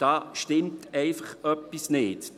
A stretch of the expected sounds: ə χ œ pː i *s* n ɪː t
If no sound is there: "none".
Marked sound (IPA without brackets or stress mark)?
s